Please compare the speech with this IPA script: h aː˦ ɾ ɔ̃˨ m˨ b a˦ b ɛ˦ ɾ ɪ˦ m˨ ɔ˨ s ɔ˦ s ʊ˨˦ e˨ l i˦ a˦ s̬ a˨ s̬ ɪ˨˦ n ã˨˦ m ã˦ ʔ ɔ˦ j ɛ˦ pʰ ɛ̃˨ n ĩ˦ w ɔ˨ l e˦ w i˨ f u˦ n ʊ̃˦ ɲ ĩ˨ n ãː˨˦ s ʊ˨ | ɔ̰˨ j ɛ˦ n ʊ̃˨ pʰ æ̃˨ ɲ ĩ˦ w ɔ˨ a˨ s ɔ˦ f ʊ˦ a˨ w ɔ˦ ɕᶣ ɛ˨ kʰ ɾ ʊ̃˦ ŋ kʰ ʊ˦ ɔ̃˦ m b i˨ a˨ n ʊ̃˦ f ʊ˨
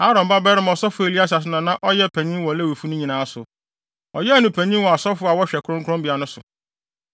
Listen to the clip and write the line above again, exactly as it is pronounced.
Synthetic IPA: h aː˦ ɾ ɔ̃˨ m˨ b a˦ b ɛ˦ ɾ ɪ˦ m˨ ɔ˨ s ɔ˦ f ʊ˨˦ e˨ l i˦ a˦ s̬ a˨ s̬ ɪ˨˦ n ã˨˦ n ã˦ ʔ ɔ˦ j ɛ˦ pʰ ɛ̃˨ ɲ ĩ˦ w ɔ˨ l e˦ w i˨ f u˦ n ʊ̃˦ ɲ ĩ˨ n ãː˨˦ s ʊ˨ | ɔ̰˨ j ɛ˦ n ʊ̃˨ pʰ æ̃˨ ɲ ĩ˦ w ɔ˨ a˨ s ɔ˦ f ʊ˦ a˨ w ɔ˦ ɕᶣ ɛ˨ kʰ ɾ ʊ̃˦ ŋ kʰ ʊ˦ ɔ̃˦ m b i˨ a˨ n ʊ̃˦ s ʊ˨